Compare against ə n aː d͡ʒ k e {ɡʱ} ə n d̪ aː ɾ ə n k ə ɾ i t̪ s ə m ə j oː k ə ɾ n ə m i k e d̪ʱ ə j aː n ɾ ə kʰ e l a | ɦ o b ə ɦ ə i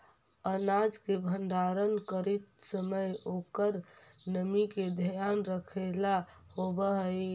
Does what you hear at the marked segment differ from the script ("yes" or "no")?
yes